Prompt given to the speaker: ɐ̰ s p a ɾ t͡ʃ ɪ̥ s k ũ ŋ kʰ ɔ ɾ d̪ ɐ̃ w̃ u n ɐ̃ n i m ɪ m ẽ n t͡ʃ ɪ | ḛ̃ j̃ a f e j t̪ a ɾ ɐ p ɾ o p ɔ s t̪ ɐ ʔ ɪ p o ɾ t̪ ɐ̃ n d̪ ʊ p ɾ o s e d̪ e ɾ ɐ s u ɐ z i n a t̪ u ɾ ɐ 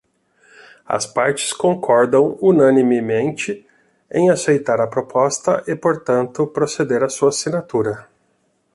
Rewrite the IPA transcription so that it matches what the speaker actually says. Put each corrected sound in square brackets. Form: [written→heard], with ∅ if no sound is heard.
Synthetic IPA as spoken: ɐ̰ s p a ɾ t͡ʃ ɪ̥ s k [ũ→õ] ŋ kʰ ɔ ɾ d̪ ɐ̃ w̃ u n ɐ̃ n i m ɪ m ẽ n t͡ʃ ɪ | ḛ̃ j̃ a [f→s] e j t̪ a ɾ ɐ p ɾ o p ɔ s t̪ ɐ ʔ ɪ p o ɾ t̪ ɐ̃ n [d̪→t̪] ʊ p ɾ o s e d̪ e ɾ ɐ s u ɐ [z→s] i n a t̪ u ɾ ɐ

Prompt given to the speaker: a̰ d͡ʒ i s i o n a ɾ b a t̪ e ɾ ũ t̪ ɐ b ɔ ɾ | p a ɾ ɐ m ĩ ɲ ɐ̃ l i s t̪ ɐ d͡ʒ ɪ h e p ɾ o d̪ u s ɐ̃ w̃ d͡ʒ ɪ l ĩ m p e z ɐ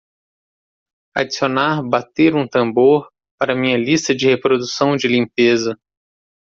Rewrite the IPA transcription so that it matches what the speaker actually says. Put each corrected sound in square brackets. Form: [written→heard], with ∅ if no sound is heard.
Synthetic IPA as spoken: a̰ d͡ʒ i s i o n a ɾ b a t̪ e ɾ ũ t̪ [ɐ→ɐ̃] b [ɔ→o] ɾ | p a ɾ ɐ m ĩ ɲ [ɐ̃→ɐ] l i s t̪ ɐ d͡ʒ ɪ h e p ɾ o d̪ u s ɐ̃ w̃ d͡ʒ ɪ l ĩ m p e z ɐ

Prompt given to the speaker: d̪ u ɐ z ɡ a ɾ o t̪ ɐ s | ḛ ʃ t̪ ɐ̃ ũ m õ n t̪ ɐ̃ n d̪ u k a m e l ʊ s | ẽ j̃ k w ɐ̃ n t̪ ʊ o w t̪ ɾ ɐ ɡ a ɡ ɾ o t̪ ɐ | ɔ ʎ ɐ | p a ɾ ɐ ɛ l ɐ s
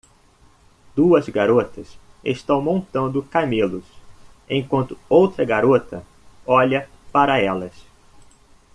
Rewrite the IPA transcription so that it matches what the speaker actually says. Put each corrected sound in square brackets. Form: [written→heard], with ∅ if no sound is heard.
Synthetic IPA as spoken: d̪ u ɐ z ɡ a ɾ o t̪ ɐ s | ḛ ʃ t̪ ɐ̃ [ũ→w̃] m õ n t̪ ɐ̃ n d̪ [u→ʊ] k a m e l ʊ s | ẽ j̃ k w ɐ̃ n t̪ ʊ o w t̪ ɾ ɐ ɡ a [ɡ→∅] ɾ o t̪ ɐ | ɔ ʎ ɐ | p a ɾ ɐ ɛ l ɐ s

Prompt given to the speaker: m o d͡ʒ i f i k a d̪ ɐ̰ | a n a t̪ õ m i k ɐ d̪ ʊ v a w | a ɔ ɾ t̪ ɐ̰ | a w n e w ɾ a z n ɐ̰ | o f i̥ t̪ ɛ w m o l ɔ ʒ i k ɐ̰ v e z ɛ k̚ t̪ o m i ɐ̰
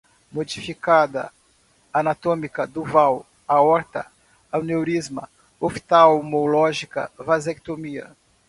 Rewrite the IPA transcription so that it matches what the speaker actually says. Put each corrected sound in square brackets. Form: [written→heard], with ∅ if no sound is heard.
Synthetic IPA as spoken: m o d͡ʒ i f i k a d̪ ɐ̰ | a n a t̪ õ m i k ɐ d̪ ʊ v a w | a ɔ ɾ t̪ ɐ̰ | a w n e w ɾ [a→i] z [n→m] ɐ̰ | o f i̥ t̪ [ɛ→a] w m o l ɔ ʒ i k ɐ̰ v [e→a] z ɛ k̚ t̪ o m i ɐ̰

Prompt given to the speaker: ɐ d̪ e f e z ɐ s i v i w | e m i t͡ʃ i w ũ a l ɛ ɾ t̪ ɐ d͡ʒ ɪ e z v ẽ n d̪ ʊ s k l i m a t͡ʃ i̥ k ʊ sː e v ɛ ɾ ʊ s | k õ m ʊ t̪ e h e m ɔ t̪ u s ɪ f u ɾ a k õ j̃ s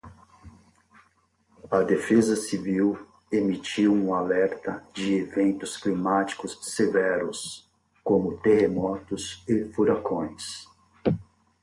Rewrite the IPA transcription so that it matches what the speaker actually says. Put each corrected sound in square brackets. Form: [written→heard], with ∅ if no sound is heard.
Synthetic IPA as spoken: ɐ d̪ e f e z ɐ s i v i w | e m i t͡ʃ i w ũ a l ɛ ɾ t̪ ɐ d͡ʒ ɪ e [z→∅] v ẽ n [d̪→t̪] ʊ s k l i m a t͡ʃ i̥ k ʊ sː e v ɛ ɾ ʊ s | k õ m ʊ t̪ e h e m ɔ t̪ [u→ʊ] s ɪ f u ɾ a k õ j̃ s

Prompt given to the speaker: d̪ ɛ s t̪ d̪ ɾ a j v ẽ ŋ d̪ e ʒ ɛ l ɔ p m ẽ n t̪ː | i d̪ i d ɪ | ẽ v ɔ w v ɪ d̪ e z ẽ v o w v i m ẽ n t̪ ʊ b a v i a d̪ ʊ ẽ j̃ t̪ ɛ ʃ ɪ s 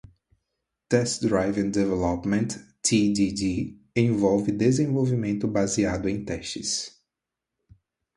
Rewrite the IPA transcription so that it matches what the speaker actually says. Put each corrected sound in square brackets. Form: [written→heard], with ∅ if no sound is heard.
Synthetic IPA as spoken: [d̪→t̪] ɛ s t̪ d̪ ɾ a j v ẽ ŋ d̪ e [ʒ→v] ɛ l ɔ p m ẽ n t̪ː | i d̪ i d [ɪ→i] | ẽ v ɔ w v ɪ d̪ e z ẽ v o w v i m ẽ n t̪ ʊ b a [v→z] i a d̪ ʊ ẽ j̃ t̪ ɛ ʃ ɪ s

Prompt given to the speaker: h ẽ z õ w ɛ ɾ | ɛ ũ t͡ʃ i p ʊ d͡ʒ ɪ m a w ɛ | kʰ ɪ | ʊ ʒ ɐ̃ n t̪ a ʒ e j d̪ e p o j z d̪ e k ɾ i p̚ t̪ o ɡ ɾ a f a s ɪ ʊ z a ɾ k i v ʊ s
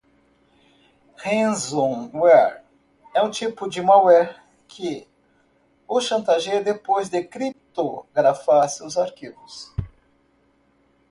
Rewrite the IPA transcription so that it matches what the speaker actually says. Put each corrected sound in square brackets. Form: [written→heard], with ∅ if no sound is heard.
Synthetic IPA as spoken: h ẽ z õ w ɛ ɾ | ɛ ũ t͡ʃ i p ʊ d͡ʒ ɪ m a w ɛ | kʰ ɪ | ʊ [ʒ→ʃ] ɐ̃ n t̪ a ʒ e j d̪ e p o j z d̪ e k ɾ i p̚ t̪ o ɡ ɾ a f a s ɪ ʊ z a ɾ k i v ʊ s

